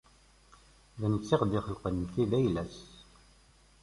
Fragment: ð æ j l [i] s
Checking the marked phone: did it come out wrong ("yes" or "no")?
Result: yes